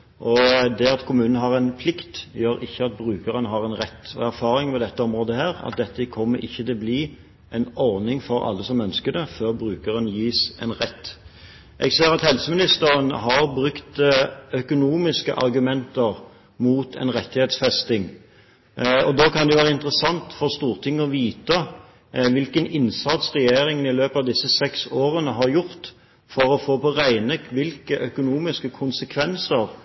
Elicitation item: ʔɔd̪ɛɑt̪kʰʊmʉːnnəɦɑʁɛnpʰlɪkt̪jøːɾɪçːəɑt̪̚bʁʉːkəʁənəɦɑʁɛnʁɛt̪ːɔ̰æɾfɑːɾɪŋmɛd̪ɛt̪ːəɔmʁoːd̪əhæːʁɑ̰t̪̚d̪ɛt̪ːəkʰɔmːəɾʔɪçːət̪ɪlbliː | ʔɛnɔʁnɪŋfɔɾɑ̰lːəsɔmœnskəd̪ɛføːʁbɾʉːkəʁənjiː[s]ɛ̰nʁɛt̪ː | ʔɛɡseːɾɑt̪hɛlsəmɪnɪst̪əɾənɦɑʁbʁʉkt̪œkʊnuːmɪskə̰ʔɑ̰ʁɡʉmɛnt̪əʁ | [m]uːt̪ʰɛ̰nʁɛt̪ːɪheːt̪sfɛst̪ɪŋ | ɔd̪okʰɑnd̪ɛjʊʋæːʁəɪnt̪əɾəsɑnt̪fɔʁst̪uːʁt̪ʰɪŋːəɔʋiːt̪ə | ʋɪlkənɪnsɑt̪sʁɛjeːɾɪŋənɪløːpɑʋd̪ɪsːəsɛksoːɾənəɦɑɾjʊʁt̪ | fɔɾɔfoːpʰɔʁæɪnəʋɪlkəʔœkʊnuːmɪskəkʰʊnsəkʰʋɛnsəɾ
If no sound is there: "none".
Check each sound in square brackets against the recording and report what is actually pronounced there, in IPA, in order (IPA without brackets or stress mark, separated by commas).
s, m